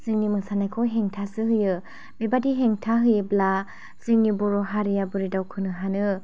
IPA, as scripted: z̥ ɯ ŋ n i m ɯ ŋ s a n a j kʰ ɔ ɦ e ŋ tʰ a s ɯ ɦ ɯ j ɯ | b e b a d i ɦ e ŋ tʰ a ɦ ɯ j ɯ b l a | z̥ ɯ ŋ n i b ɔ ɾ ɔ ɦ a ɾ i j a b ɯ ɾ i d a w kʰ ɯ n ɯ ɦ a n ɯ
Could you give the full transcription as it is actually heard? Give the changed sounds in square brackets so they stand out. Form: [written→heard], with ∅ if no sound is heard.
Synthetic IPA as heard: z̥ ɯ ŋ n i m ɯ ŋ s a n a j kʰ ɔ ɦ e ŋ tʰ a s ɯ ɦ ɯ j ɯ | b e b a d i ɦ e ŋ tʰ a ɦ ɯ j ɯ b l a | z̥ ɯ ŋ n i b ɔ ɾ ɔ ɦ a ɾ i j a b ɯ ɾ i d a w kʰ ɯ n ɯ ɦ a n ɯ